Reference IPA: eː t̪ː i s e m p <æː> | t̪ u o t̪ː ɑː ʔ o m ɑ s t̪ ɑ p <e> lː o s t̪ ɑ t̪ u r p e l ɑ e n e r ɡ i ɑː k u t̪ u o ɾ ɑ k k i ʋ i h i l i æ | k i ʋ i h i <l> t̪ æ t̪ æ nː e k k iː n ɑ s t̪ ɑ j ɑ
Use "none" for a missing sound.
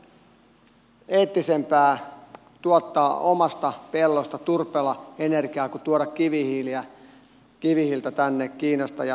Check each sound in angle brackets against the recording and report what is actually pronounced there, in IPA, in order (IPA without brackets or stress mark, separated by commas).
æː, e, l